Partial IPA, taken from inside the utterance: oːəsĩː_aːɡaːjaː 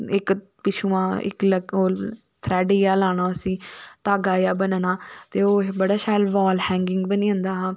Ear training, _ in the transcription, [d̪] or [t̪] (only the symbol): t̪